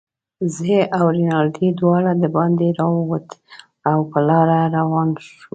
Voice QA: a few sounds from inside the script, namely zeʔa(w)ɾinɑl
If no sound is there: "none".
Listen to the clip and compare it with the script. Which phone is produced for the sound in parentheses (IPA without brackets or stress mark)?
w